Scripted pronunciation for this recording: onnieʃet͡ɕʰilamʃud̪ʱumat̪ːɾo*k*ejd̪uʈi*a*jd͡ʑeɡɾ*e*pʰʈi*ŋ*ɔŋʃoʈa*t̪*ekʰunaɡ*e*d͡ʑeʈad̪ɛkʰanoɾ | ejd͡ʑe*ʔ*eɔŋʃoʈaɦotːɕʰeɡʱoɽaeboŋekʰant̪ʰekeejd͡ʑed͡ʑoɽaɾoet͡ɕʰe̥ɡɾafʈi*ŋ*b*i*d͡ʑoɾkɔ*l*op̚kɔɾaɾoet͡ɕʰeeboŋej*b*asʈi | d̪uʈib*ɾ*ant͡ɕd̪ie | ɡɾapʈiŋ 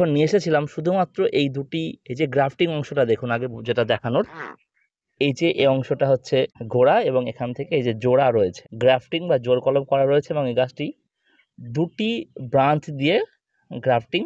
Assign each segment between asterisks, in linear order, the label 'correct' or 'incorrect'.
incorrect, incorrect, incorrect, correct, incorrect, correct, correct, correct, incorrect, correct, incorrect, correct

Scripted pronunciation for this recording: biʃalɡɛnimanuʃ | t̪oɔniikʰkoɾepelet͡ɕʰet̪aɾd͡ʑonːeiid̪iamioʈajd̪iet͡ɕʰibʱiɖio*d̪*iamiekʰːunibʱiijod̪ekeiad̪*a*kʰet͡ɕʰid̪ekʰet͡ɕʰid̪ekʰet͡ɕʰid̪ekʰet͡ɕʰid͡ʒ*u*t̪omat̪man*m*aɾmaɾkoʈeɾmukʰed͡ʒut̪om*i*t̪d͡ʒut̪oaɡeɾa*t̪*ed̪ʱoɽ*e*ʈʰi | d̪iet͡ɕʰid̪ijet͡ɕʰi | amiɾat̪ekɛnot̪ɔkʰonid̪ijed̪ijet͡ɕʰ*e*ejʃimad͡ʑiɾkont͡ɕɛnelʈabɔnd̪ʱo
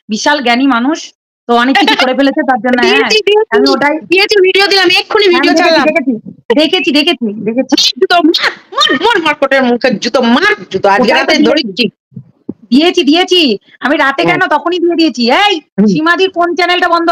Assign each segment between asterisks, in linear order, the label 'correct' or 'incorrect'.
correct, incorrect, correct, correct, incorrect, correct, incorrect, incorrect

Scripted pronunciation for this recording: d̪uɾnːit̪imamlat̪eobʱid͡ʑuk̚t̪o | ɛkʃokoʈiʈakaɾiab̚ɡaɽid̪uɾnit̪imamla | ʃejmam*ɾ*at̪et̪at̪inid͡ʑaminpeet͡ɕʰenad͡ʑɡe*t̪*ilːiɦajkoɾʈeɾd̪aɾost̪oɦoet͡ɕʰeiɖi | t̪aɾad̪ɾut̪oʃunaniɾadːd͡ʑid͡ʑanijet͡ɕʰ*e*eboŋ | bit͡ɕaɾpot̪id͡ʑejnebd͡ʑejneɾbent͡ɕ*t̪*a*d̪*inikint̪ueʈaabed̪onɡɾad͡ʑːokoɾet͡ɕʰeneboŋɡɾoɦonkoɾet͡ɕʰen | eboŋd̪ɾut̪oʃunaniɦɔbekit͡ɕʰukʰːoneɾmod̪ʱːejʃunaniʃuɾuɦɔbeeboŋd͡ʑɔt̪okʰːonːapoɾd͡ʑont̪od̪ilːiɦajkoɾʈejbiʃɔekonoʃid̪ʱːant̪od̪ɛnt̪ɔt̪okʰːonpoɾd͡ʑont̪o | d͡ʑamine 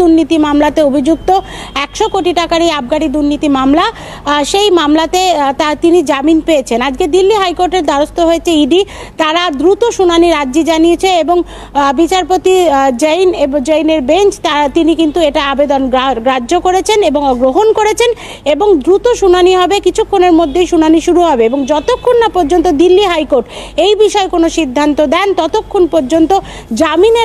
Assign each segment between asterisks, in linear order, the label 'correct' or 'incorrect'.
incorrect, incorrect, correct, correct, incorrect

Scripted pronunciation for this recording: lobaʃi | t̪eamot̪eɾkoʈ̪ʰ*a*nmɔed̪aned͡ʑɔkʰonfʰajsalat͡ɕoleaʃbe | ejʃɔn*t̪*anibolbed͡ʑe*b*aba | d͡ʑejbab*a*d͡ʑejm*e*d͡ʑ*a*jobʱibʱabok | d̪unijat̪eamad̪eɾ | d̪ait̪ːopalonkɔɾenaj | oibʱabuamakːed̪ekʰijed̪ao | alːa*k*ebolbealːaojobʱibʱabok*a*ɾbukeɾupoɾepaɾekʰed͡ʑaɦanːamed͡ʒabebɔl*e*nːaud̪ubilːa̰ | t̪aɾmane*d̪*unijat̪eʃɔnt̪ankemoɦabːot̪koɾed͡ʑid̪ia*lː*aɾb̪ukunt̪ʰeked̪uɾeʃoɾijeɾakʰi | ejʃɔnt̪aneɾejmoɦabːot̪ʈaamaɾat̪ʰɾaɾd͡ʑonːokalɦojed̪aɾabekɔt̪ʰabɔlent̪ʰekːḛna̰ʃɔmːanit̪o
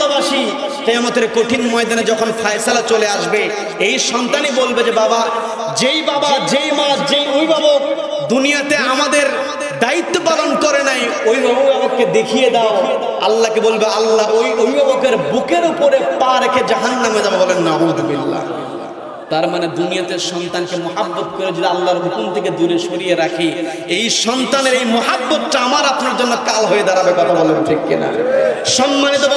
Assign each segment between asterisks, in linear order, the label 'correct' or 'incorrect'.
incorrect, correct, correct, correct, incorrect, incorrect, correct, incorrect, correct, correct, correct

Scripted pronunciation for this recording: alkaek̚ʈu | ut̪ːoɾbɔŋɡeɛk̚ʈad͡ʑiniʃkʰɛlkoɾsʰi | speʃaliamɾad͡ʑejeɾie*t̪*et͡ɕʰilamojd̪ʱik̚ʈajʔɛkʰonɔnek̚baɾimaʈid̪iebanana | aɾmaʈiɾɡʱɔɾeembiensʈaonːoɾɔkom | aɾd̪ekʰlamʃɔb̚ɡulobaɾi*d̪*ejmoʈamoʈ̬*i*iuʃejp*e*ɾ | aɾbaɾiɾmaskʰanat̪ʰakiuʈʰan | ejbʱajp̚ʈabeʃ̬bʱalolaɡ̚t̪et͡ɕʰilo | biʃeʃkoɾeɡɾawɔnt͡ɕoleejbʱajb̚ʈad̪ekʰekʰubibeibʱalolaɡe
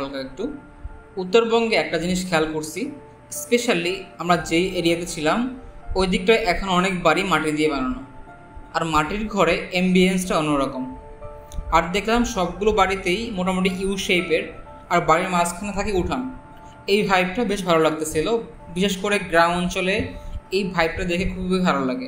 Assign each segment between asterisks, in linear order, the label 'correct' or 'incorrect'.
correct, incorrect, correct, correct

